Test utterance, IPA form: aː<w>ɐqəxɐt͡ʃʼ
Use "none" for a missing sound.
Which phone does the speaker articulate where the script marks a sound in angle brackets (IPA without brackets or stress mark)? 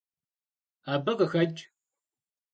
b